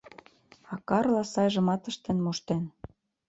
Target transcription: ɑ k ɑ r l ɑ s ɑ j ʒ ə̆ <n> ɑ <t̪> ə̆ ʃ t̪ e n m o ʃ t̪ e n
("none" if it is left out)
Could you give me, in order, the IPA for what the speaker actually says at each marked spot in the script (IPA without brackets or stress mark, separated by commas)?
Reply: m, t̪